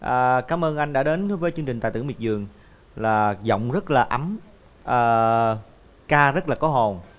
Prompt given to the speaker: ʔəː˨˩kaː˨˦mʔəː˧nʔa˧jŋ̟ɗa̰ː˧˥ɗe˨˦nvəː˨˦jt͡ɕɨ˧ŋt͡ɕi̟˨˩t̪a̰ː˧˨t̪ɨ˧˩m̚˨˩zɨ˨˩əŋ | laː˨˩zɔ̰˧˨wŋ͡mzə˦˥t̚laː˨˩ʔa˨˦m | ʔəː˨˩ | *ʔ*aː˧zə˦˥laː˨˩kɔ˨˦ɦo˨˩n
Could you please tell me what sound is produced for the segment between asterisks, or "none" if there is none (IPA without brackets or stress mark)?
k